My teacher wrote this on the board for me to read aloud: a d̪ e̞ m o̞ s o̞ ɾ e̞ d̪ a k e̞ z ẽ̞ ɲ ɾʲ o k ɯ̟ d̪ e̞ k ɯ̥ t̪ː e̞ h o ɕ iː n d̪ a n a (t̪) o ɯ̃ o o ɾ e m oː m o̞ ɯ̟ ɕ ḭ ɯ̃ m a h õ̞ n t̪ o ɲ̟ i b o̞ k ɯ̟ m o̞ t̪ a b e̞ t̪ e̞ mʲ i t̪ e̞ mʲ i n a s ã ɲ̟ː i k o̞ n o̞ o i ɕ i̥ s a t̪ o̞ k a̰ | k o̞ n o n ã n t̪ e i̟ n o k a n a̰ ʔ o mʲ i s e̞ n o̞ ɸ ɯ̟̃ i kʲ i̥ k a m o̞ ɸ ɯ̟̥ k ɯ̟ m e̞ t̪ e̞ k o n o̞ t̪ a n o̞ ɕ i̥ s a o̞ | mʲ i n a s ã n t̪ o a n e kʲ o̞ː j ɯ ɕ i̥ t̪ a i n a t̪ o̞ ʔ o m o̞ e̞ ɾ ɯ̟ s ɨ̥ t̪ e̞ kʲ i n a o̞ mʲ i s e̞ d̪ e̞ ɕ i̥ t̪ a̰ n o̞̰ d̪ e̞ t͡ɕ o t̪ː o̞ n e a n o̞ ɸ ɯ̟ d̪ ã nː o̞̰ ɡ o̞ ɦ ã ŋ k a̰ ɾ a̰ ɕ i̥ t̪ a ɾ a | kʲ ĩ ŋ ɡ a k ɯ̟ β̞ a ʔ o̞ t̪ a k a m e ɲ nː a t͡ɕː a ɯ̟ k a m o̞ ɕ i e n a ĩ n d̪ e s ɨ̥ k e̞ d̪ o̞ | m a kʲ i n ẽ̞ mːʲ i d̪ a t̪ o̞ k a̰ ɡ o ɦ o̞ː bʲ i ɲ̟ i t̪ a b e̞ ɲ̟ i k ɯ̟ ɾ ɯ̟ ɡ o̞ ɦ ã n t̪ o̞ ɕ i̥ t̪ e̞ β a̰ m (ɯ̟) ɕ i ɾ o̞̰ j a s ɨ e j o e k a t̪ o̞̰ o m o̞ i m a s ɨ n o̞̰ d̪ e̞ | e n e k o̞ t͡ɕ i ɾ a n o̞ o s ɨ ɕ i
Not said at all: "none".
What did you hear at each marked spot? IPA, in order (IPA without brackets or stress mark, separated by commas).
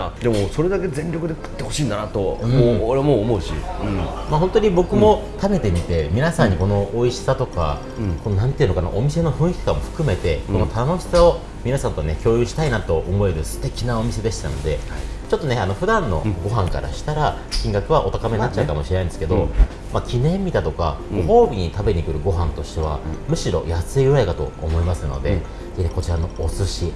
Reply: t̪, ɯ̟